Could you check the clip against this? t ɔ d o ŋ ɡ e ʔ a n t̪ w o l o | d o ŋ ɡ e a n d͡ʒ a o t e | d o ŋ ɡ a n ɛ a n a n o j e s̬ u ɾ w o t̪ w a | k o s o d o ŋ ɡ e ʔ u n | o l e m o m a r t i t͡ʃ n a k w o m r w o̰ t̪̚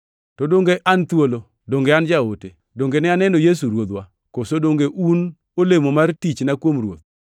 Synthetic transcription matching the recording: t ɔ d o ŋ ɡ e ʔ a n t̪ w o l o | d o ŋ ɡ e a n d͡ʒ a o t e | d o ŋ ɡ e n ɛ a n ɛ n o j e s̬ u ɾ w o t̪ w a | k o s o d o ŋ ɡ e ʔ u n | o l e m o m a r t i t͡ʃ n a k w o m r w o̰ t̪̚